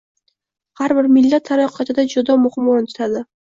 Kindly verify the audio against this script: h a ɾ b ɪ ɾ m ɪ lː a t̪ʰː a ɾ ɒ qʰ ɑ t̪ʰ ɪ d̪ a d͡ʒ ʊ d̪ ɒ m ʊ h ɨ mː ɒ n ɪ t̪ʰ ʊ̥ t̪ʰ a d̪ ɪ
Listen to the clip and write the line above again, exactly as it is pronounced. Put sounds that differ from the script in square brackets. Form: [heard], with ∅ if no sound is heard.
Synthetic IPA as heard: h a ɾ b ɪ ɾ m ɪ lː a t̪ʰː a ɾ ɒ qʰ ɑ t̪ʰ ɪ d̪ a d͡ʒ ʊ d̪ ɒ m ʊ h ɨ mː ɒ n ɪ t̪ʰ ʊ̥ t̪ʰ a d̪ ɪ

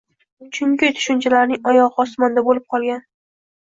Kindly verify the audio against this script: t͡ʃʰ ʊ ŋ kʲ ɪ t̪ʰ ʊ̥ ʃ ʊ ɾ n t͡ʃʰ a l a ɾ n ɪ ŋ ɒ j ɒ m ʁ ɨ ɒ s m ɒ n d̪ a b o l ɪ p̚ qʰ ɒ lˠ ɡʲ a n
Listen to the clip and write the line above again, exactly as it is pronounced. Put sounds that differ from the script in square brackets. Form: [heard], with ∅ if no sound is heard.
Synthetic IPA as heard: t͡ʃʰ ʊ ŋ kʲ ɪ t̪ʰ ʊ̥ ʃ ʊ [∅] n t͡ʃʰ a l a ɾ n ɪ ŋ ɒ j ɒ [∅] ʁ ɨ ɒ s m ɒ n d̪ a b o l ɪ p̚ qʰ ɒ lˠ ɡʲ a n

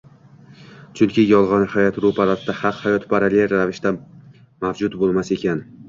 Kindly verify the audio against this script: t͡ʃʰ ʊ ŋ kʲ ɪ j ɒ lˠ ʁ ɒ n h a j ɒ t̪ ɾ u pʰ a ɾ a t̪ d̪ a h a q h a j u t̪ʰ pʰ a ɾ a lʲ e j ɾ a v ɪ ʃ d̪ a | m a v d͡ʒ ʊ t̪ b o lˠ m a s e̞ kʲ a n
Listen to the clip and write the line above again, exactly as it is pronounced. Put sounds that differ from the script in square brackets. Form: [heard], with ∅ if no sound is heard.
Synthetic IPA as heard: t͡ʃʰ ʊ ŋ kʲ ɪ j ɒ lˠ ʁ ɒ n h a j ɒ t̪ ɾ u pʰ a ɾ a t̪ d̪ a h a q h a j [ɒ] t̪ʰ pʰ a ɾ a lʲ e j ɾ a v ɪ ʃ [t̪] a | m a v d͡ʒ ʊ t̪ b o lˠ m a s e̞ kʲ a n

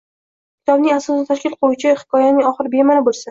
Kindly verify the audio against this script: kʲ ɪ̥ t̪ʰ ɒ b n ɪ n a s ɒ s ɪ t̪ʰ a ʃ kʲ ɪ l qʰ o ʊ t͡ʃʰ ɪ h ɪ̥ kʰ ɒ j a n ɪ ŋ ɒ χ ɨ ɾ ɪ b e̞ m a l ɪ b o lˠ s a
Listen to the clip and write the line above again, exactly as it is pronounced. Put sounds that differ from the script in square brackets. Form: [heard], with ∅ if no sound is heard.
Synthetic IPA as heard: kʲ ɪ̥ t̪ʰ ɒ b n ɪ [ŋ] a s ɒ s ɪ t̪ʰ a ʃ kʲ ɪ l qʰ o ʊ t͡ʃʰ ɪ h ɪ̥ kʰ ɒ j a n ɪ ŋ ɒ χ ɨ ɾ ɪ b e̞ m a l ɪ b o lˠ s a

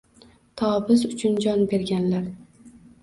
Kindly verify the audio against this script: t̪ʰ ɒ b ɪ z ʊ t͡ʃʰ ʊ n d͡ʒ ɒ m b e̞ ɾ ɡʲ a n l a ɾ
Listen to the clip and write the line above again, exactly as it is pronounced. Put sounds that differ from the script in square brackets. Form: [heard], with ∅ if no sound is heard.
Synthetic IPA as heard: t̪ʰ ɒ b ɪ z ʊ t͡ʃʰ ʊ n d͡ʒ ɒ [n] b e̞ ɾ ɡʲ a n l a ɾ

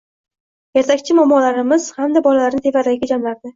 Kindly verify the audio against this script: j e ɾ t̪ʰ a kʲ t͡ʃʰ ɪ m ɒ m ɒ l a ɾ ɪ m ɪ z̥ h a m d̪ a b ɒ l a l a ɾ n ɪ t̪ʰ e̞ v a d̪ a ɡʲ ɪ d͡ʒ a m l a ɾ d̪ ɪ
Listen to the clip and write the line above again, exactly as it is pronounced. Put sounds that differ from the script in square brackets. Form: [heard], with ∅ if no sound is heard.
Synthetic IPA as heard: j e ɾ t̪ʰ a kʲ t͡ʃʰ ɪ m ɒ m ɒ l a ɾ ɪ m ɪ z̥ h a m d̪ a b ɒ l a l a ɾ n ɪ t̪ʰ e̞ v a d̪ a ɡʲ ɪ d͡ʒ a m l a ɾ d̪ ɪ

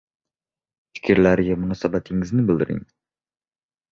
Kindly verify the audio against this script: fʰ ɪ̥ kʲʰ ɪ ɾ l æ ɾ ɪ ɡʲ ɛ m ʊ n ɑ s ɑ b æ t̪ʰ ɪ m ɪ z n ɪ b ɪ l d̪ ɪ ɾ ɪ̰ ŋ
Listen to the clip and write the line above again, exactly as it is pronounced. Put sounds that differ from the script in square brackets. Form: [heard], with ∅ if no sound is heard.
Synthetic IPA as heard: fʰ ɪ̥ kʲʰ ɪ ɾ l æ ɾ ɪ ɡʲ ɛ m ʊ n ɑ s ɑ b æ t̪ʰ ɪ [ŋ] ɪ z n ɪ b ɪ l d̪ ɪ ɾ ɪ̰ ŋ

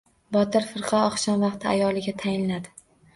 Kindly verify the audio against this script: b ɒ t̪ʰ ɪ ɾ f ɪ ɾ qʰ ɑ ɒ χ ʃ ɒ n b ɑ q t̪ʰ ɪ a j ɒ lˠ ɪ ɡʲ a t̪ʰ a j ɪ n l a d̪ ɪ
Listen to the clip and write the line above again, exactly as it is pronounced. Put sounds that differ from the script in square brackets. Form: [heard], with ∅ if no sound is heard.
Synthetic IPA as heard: b ɒ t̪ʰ ɪ ɾ f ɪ ɾ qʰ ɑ ɒ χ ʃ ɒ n [v] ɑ q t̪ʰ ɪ a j ɒ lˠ ɪ ɡʲ a t̪ʰ a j ɪ n l a d̪ ɪ

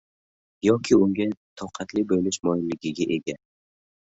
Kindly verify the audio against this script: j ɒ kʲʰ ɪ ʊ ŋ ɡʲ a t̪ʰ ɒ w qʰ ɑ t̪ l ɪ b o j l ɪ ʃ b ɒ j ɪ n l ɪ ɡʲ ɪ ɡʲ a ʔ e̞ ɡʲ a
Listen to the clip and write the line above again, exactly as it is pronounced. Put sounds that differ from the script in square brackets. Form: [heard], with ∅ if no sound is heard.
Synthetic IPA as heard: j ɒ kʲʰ ɪ ʊ ŋ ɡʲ a t̪ʰ ɒ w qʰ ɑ t̪ l ɪ b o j l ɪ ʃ [m] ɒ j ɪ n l ɪ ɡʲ ɪ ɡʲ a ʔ e̞ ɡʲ a

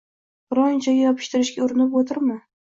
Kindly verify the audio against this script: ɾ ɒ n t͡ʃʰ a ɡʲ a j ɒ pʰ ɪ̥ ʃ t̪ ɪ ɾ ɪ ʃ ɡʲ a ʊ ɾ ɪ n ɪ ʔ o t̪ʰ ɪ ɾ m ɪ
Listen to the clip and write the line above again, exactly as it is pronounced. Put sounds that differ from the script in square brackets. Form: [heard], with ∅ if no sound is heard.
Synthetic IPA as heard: ɾ ɒ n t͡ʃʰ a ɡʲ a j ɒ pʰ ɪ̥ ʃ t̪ ɪ ɾ ɪ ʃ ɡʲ a ʊ ɾ ɪ n ɪ [p] o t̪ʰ ɪ ɾ m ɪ

